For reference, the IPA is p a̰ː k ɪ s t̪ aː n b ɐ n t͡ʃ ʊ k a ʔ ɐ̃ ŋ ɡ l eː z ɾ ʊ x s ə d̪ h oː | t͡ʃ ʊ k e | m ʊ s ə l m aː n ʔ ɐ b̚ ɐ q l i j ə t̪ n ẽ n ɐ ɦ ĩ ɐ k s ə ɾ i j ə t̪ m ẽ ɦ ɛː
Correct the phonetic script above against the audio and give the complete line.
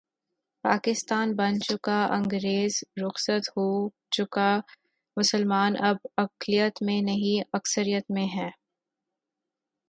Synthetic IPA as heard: p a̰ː k ɪ s t̪ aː n b ɐ n t͡ʃ ʊ k a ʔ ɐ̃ ŋ ɡ ɾ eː z ɾ ʊ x s ə t̪ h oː | t͡ʃ ʊ k a | m ʊ s ə l m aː n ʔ ɐ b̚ ɐ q l i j ə t̪ m ẽ n ɐ ɦ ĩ ɐ k s ə ɾ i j ə t̪ m ẽ ɦ ɛː